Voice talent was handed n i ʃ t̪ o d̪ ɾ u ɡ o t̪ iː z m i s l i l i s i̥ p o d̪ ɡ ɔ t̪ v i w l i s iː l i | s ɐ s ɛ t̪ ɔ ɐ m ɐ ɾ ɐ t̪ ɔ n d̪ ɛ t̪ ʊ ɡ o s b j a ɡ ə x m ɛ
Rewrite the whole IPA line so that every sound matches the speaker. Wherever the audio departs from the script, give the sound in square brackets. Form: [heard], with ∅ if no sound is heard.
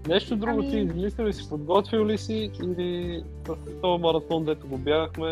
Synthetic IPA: n [ɛ] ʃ t̪ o d̪ ɾ u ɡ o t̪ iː z m i s l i l i s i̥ p o d̪ ɡ ɔ t̪ v i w l i s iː l i | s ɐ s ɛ t̪ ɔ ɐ m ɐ ɾ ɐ t̪ ɔ n d̪ ɛ t̪ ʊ ɡ o [∅] b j a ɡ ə x m ɛ